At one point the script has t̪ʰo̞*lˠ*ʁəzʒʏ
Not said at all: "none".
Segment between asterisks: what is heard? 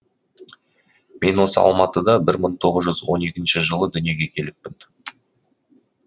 none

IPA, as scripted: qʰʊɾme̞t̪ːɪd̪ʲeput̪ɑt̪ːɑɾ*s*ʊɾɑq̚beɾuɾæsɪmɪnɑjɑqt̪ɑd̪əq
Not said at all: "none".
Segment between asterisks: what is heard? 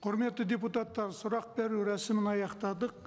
s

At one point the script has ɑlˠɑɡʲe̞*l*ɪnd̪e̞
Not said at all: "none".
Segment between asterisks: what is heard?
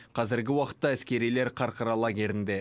ɾ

